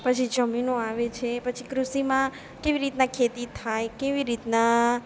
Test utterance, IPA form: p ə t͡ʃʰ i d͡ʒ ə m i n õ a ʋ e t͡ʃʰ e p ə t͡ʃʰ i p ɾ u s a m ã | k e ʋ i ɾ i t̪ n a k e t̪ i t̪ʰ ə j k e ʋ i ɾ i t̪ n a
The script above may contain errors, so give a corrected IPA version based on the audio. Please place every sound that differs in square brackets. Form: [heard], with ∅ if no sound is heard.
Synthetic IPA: p ə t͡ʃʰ i d͡ʒ ə m i n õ a ʋ e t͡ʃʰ e p ə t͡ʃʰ i [k] ɾ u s [i] m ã | k e ʋ i ɾ i t̪ n a [kʰ] e t̪ i t̪ʰ [a] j k e ʋ i ɾ i t̪ n a